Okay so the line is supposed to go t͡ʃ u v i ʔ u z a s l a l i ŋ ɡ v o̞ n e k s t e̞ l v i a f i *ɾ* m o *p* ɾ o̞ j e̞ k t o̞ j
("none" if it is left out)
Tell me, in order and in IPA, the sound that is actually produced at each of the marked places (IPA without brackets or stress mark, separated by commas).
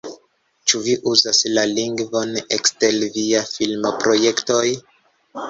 l, p